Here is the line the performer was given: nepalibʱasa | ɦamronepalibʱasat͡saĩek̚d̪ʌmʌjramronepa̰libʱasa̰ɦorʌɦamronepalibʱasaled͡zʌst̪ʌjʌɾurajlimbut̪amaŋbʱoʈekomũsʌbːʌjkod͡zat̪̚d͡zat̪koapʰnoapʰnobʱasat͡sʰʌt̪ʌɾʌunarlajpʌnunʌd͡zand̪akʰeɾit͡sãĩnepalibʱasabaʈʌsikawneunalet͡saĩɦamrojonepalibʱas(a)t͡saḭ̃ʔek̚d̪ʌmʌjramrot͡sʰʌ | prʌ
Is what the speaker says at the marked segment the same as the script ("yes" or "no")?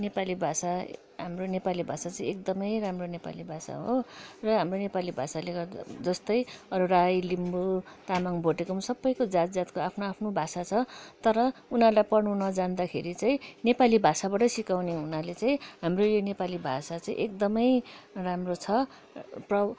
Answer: yes